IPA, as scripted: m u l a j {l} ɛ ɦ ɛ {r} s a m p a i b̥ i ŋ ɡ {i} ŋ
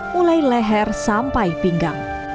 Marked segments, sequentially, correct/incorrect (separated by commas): correct, correct, incorrect